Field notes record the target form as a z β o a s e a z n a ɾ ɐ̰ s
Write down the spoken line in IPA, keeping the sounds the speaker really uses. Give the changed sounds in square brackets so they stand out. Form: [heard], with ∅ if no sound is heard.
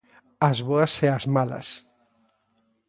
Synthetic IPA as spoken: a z β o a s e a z [m] a [l] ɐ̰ s